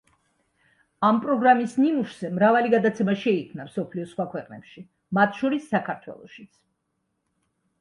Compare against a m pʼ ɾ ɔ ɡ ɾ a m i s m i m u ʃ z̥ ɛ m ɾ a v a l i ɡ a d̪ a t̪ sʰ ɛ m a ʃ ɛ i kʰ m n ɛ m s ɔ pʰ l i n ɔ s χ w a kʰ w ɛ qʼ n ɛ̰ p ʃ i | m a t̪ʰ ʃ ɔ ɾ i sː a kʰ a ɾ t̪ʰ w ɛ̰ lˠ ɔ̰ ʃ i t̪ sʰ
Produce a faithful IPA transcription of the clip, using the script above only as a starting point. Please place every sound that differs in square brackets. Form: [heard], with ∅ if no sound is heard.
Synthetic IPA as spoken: a m pʼ ɾ ɔ ɡ ɾ a m i s [n] i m u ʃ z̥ ɛ m ɾ a v a l i ɡ a d̪ a t̪ sʰ ɛ m a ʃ ɛ i kʰ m n [a] m s ɔ pʰ l i [∅] ɔ s χ w a kʰ w ɛ qʼ n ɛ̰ p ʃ i | m a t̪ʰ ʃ ɔ ɾ i sː a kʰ a ɾ t̪ʰ w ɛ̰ lˠ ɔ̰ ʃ i t̪ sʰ

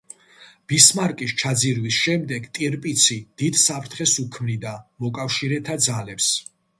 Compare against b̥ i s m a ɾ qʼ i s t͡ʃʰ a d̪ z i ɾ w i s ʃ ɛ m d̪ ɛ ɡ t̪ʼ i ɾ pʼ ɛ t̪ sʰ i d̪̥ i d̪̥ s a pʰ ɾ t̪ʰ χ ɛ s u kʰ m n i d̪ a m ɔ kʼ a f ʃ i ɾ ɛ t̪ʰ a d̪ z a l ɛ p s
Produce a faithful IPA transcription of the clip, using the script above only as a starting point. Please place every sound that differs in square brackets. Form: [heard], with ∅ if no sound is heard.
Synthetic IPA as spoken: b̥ i s m a ɾ [kʼ] i s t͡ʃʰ a d̪ z i ɾ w i s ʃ ɛ m d̪ ɛ ɡ t̪ʼ i ɾ pʼ [i] t̪ sʰ i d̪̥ i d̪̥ s a pʰ ɾ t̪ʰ χ ɛ s u kʰ m n i d̪ a m ɔ kʼ a f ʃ i ɾ ɛ t̪ʰ a d̪ z a l ɛ p s

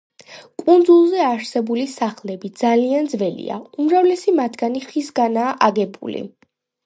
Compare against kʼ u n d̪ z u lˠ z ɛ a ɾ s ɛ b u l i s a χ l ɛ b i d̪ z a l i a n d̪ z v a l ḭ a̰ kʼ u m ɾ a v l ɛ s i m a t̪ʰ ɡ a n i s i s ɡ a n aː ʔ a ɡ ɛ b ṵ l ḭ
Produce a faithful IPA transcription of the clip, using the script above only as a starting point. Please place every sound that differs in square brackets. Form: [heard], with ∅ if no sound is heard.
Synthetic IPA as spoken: kʼ u n d̪ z u lˠ z ɛ a ɾ s ɛ b u l i s a χ l ɛ b i d̪ z a l i a n d̪ z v [ɛ] l ḭ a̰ [∅] u m ɾ a v l ɛ s i m a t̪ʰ ɡ a n i [χ] i s ɡ a n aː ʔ a ɡ ɛ b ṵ l ḭ

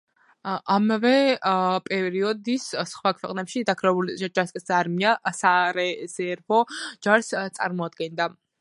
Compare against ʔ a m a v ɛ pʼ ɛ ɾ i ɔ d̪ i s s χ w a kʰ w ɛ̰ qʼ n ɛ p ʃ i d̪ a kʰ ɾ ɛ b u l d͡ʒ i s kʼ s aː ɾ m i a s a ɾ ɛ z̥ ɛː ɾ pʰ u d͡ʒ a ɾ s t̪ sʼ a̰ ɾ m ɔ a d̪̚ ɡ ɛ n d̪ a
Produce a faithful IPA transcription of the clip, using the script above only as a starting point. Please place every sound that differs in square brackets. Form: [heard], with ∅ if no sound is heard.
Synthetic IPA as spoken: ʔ a m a v ɛ pʼ ɛ ɾ i ɔ d̪ i s s χ w a kʰ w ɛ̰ qʼ n ɛ p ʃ i d̪ a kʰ ɾ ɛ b u l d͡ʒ [a] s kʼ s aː ɾ m i a s a ɾ ɛ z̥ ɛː ɾ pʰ [ɔ] d͡ʒ a ɾ s t̪ sʼ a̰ ɾ m ɔ a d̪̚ ɡ ɛ n d̪ a

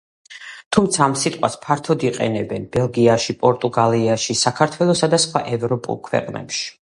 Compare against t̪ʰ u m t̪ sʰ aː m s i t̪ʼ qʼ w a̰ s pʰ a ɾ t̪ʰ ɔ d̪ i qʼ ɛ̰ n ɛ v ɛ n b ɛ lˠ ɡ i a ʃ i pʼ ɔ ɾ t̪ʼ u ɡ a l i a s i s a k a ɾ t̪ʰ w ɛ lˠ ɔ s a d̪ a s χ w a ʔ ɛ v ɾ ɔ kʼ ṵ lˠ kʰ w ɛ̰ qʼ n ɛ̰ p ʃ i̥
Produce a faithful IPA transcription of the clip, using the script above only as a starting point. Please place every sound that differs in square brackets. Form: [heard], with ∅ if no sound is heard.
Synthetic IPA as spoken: t̪ʰ u m t̪ sʰ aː m s i t̪ʼ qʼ w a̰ s pʰ a ɾ t̪ʰ ɔ d̪ i qʼ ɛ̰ n ɛ [b] ɛ n b ɛ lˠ ɡ i a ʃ i pʼ ɔ ɾ t̪ʼ u ɡ a l i a [ʃ] i s a [kʰ] a ɾ t̪ʰ w ɛ lˠ ɔ s a d̪ a s χ w a ʔ ɛ v ɾ ɔ [pʼ] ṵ lˠ kʰ w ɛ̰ qʼ n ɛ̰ p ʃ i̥

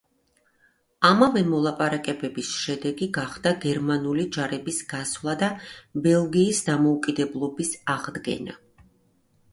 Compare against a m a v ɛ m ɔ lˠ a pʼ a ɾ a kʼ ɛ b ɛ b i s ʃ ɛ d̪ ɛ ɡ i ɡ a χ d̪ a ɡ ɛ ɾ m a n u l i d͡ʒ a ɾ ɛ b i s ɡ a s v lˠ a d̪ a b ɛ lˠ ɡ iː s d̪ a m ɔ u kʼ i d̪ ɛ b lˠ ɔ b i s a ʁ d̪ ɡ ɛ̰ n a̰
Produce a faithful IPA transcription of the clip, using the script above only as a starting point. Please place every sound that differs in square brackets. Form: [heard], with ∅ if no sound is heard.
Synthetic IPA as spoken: a m a v ɛ m ɔ lˠ a pʼ a ɾ a kʼ ɛ b ɛ b i s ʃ ɛ d̪ ɛ ɡ i ɡ a χ d̪ a ɡ ɛ ɾ m a n u l i d͡ʒ a ɾ ɛ b i s ɡ a s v lˠ a d̪ a b ɛ lˠ ɡ iː s d̪ a m ɔ u kʼ i d̪ ɛ b lˠ ɔ b i s a ʁ d̪ ɡ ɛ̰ n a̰

